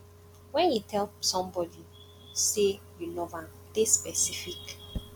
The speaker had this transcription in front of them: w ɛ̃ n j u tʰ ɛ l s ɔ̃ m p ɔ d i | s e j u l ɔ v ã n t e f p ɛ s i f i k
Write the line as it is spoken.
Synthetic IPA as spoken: w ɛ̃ n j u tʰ ɛ l s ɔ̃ m b ɔ d i | s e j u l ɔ v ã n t e s p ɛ s i f i k